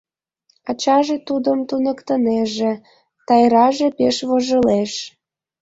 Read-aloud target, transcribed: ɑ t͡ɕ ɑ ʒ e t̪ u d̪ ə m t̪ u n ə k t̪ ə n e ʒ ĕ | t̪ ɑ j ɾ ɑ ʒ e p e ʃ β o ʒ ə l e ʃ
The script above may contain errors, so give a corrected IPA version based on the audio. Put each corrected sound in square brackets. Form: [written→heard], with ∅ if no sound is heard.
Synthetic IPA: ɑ t͡ɕ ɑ ʒ e t̪ u d̪ ə m t̪ u n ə k t̪ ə n e ʒ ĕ | t̪ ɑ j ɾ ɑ ʒ e p e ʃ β o ʒ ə l e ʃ